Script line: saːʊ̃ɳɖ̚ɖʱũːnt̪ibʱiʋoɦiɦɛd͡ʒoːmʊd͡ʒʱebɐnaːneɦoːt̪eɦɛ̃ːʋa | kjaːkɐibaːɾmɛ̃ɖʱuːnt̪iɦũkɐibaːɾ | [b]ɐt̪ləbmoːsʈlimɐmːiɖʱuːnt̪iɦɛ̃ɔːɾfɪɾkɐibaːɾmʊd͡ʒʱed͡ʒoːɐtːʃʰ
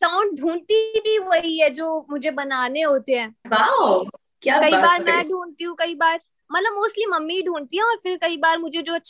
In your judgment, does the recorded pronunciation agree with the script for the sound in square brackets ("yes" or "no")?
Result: no